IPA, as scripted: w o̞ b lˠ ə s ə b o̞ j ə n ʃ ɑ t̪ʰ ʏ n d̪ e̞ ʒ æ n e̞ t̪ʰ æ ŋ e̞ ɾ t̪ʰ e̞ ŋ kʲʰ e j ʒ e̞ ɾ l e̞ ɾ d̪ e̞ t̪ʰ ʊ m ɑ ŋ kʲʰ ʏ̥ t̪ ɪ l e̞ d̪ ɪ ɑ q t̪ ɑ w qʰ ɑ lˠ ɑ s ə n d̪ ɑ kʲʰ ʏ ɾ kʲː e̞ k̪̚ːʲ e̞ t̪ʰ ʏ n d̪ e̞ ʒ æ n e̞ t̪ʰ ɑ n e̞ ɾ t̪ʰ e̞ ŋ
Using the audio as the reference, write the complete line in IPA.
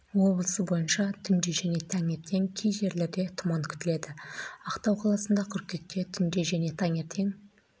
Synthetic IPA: w o̞ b lˠ ə s ə b o̞ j ə n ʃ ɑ t̪ʰ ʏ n d̪ e̞ ʒ æ n e̞ t̪ʰ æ ŋ e̞ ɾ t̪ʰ e̞ ŋ kʲʰ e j ʒ e̞ ɾ l e̞ ɾ d̪ e̞ t̪ʰ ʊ m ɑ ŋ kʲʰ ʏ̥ t̪ ɪ l e̞ d̪ ɪ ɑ q t̪ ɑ w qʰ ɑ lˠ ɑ s ə n d̪ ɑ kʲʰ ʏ ɾ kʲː e̞ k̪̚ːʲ e̞ t̪ʰ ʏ n d̪ e̞ ʒ æ n e̞ t̪ʰ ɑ ŋ e̞ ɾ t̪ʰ e̞ ŋ